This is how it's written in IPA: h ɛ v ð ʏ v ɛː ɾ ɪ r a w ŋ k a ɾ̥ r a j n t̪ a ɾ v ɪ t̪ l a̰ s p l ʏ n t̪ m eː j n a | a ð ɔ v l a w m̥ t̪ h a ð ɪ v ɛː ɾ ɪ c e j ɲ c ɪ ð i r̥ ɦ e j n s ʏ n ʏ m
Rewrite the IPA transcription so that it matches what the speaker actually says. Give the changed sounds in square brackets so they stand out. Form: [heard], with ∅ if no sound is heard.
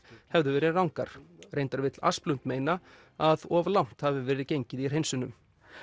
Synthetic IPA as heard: h ɛ v ð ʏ v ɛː ɾ ɪ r a w ŋ k a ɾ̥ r [e] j n t̪ a ɾ v ɪ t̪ l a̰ s p l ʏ n t̪ m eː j n a | a ð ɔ v l a w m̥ t̪ h a [v] ɪ v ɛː ɾ ɪ c e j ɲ c ɪ ð i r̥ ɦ e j n s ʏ n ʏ m